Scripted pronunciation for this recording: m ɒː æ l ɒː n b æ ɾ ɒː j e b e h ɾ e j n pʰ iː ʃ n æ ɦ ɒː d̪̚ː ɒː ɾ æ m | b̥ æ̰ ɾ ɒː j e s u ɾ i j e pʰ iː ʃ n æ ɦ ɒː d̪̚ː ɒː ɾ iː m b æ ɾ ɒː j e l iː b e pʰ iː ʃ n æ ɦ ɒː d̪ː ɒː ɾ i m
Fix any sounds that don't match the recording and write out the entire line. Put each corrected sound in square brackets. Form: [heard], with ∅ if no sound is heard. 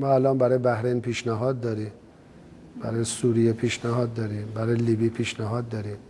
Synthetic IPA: m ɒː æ l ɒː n b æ ɾ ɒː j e b [æ] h ɾ e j n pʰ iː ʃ n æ ɦ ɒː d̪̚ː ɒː ɾ [i] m | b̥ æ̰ ɾ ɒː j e s u ɾ i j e pʰ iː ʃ n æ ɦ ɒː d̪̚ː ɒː ɾ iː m b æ ɾ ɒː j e l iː b [i] pʰ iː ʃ n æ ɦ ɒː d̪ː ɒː ɾ i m